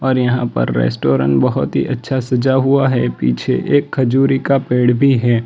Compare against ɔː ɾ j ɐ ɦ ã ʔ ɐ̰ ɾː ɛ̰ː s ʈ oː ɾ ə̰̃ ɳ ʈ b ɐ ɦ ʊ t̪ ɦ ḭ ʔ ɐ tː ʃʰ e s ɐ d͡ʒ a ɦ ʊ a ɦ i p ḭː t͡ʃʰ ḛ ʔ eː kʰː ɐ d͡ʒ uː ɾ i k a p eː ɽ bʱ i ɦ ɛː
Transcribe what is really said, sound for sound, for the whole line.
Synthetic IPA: ɔː ɾ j ɐ ɦ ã p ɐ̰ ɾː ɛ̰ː s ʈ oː ɾ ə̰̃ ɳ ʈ b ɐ ɦ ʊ t̪ ɦ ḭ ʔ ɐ tː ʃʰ a s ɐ d͡ʒ a ɦ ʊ a ɦ ɛ p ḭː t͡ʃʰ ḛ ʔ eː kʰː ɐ d͡ʒ uː ɾ i k a p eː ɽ bʱ i ɦ ɛː